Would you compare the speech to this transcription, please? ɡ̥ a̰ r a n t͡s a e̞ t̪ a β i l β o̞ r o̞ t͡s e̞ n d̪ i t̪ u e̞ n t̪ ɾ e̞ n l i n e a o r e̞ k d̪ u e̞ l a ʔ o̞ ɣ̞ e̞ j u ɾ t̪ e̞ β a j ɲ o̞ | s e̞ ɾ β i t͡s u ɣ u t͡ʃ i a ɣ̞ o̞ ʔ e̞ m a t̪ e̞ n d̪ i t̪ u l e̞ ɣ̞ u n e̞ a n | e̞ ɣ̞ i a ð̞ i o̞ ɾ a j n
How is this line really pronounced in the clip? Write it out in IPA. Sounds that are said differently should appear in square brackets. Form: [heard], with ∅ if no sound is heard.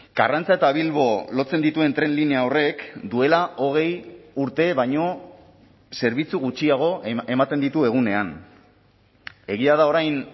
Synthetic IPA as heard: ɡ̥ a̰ r a n t͡s a e̞ t̪ a β i l β o̞ [l] o̞ t͡s e̞ n d̪ i t̪ u e̞ n t̪ ɾ e̞ n l i n e a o r e̞ k d̪ u e̞ l a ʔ o̞ ɣ̞ e̞ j u ɾ t̪ e̞ β a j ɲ o̞ | s e̞ ɾ β i t͡s u ɣ u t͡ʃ i a ɣ̞ o̞ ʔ e̞ m a t̪ e̞ n d̪ i t̪ u [∅] e̞ ɣ̞ u n e̞ a n | e̞ ɣ̞ i a ð̞ [a] o̞ ɾ a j n